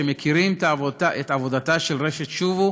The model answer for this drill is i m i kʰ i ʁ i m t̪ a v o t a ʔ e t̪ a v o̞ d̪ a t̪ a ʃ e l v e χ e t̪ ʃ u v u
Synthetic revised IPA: e m e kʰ i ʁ i m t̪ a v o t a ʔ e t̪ a v o̞ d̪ a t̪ a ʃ e l ʁ e ʃ e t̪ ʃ u v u